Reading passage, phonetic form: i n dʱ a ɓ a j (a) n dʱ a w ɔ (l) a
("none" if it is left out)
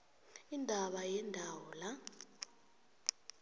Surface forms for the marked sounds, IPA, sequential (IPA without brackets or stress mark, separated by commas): ɛ, l